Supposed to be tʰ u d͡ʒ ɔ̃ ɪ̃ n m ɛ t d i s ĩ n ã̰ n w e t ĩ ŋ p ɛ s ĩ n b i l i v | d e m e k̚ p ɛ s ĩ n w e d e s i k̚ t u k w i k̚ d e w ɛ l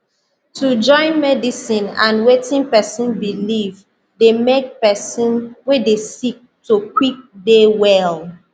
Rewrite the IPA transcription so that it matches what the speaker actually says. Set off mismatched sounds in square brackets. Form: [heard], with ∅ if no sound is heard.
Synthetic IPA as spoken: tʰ u d͡ʒ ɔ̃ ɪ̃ n m ɛ [∅] d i s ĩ n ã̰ n w e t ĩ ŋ p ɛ s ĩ n b i l i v | d e m e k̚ p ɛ s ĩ n w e d e s i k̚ t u k w i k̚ d e w ɛ l